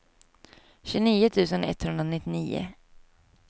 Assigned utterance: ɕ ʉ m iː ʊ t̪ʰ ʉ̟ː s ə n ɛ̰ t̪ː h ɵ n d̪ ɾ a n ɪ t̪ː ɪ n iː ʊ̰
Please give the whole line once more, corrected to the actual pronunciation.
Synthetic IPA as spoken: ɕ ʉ n iː ʊ t̪ʰ ʉ̟ː s ə n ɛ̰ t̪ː h ɵ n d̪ ɾ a n ɪ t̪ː ɪ n iː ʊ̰